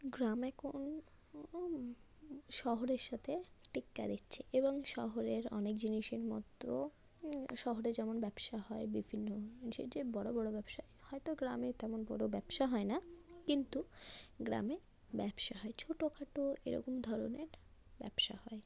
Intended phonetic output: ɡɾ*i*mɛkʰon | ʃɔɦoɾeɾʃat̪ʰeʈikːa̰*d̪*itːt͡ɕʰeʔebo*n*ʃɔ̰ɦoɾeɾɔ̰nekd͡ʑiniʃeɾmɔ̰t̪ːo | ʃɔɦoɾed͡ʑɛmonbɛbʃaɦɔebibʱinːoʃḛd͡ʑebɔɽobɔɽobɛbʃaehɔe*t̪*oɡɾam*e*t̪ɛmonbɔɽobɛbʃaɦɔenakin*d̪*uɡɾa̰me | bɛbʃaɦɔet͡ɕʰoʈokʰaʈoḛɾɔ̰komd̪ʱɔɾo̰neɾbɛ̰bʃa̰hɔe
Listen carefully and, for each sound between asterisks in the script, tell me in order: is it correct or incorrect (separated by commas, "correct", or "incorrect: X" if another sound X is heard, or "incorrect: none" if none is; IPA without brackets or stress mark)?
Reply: incorrect: a, correct, incorrect: ŋ, correct, correct, incorrect: t̪